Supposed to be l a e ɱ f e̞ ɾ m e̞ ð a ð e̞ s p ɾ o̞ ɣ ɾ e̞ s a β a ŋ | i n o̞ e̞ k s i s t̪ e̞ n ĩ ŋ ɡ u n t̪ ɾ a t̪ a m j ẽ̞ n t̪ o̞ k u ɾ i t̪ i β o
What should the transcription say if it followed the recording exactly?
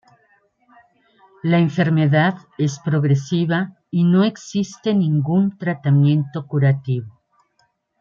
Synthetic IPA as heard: l a e ɱ f e̞ ɾ m e̞ ð a ð e̞ s p ɾ o̞ ɣ ɾ e̞ s i β a | i n o̞ e̞ k s i s t̪ e̞ n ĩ ŋ ɡ u n t̪ ɾ a t̪ a m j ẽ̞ n t̪ o̞ k u ɾ a t̪ i β o